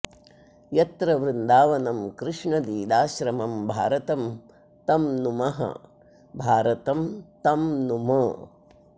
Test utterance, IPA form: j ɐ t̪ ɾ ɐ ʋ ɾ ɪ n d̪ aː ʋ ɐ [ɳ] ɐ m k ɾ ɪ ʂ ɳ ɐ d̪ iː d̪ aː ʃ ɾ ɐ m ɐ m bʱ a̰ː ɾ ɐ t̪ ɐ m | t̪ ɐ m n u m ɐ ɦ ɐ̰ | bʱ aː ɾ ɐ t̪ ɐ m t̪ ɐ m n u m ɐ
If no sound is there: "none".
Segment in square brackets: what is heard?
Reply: n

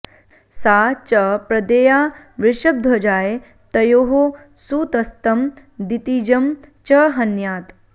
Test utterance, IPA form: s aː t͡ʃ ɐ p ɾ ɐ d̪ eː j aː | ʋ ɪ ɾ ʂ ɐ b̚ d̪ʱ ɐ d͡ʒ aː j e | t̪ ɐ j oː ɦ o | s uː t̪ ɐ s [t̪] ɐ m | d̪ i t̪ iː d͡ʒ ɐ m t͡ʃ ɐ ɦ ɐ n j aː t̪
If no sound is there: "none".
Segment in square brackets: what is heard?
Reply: t̪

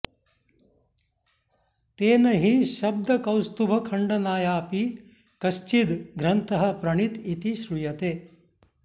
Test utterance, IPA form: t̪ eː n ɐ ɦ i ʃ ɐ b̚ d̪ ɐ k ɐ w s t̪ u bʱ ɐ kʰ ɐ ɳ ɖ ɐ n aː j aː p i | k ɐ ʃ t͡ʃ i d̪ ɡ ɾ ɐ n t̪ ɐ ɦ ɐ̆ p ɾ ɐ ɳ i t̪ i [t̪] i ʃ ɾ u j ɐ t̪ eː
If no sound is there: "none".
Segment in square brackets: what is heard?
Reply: t̪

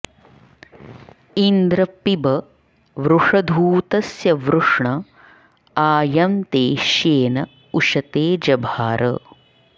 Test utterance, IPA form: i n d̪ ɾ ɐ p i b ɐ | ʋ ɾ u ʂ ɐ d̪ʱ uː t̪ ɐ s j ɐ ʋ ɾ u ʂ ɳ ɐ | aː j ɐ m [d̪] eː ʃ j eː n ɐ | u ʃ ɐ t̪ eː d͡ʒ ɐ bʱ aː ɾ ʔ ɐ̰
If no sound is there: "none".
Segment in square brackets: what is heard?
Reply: t̪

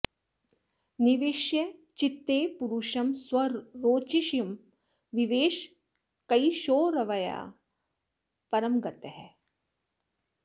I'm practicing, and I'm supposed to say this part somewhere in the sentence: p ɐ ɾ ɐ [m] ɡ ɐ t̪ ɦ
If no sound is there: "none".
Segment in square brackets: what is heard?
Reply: m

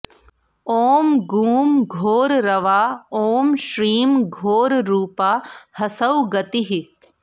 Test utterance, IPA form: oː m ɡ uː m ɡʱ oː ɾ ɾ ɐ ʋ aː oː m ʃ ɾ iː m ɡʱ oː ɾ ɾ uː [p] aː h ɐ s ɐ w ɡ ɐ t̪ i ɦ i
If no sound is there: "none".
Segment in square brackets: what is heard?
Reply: p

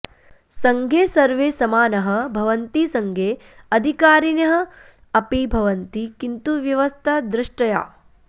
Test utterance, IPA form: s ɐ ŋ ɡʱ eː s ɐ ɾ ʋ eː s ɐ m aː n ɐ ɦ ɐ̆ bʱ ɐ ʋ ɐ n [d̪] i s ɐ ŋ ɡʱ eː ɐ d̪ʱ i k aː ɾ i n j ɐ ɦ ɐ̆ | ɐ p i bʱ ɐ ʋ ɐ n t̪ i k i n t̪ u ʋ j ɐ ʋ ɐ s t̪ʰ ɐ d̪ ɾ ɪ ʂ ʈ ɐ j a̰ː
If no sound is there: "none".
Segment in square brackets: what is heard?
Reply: t̪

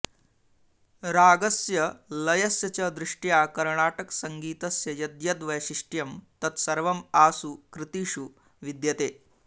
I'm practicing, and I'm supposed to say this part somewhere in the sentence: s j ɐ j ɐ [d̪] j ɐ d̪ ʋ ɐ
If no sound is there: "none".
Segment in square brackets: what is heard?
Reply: d̪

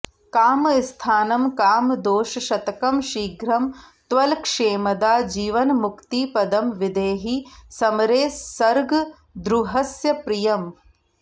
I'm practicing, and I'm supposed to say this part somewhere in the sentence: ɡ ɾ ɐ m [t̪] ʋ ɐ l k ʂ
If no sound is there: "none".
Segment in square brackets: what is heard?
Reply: t̪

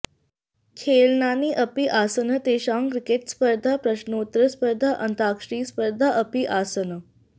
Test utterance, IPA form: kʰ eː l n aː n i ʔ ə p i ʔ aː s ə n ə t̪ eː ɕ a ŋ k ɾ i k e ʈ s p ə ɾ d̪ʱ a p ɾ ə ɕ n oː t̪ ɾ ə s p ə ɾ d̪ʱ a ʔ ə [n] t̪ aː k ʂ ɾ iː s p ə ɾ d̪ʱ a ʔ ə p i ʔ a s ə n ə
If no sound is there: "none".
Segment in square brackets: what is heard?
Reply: n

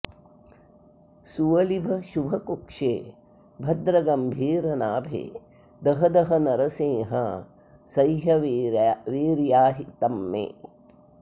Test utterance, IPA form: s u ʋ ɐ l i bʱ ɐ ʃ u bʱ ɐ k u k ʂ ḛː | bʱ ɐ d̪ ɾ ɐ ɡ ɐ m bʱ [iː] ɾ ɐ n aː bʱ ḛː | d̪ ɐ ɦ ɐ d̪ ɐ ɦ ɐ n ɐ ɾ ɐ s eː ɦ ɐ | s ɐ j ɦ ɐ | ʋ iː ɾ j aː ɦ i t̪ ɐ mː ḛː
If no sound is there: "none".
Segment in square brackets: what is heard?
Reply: iː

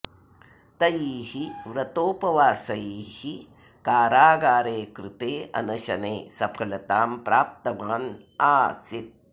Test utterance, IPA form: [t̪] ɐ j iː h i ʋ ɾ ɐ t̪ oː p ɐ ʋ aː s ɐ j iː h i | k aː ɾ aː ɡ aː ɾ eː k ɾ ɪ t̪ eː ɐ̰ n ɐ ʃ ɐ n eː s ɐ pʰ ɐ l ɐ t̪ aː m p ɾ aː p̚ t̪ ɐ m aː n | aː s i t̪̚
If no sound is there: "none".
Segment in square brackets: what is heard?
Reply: t̪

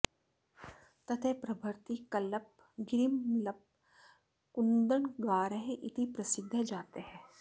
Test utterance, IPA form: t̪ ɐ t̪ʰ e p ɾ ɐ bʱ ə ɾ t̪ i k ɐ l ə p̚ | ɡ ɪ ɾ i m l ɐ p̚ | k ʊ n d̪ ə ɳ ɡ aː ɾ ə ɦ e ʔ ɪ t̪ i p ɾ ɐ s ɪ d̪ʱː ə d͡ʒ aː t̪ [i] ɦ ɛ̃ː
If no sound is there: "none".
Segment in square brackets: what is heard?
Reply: e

